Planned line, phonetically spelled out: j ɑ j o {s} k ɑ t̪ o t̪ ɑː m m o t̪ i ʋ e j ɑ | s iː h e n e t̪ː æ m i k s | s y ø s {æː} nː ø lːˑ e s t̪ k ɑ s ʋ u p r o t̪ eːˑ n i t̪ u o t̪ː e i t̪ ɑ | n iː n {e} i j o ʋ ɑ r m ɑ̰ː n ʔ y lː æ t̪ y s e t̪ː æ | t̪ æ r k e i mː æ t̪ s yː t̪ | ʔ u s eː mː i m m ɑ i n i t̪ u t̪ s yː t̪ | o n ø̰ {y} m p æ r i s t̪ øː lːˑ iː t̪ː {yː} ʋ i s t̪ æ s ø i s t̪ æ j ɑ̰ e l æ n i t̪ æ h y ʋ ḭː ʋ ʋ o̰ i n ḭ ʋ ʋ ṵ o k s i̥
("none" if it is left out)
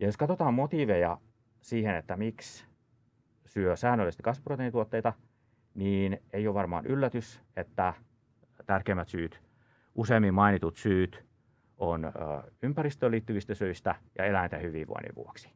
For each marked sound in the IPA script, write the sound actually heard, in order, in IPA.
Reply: s, æː, e, y, y

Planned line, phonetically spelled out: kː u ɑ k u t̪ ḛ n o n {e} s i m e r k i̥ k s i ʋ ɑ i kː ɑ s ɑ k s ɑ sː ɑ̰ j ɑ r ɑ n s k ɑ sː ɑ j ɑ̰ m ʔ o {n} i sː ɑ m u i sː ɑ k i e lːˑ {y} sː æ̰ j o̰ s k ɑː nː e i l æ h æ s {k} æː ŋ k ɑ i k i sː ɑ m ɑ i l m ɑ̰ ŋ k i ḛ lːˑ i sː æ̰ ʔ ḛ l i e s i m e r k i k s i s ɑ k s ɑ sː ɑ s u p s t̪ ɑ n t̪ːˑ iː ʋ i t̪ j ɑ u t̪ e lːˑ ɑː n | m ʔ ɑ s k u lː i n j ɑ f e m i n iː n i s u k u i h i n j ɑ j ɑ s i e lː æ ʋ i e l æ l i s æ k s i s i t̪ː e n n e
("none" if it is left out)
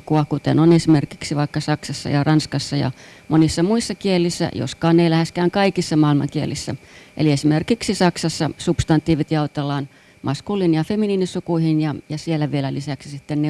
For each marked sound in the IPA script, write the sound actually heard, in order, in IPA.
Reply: e, n, i, k

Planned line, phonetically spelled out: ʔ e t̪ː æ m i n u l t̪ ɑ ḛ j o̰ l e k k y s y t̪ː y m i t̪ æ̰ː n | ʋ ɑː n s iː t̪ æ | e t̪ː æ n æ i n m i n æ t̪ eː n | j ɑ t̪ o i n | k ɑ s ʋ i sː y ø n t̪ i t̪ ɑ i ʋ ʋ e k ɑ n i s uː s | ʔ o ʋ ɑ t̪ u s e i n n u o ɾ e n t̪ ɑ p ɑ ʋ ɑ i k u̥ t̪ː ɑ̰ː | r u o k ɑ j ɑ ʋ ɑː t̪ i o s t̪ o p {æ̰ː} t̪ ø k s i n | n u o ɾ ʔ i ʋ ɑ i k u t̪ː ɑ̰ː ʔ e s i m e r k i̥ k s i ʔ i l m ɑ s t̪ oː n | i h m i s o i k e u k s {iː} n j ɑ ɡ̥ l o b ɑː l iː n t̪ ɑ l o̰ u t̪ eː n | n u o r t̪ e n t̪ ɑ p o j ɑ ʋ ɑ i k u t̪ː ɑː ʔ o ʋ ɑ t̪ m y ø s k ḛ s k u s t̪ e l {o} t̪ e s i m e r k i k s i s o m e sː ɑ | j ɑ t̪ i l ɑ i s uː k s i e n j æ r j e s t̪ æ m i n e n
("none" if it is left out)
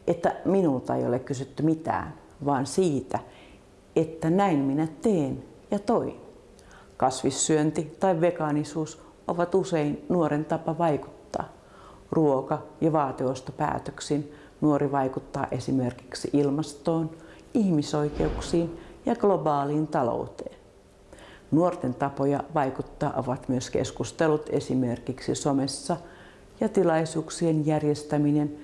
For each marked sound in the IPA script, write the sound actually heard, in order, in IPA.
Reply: æ̰ː, iː, u

